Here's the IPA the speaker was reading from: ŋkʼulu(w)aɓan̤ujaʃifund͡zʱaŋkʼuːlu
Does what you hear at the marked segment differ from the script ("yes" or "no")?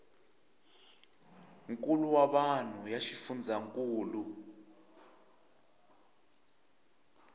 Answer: no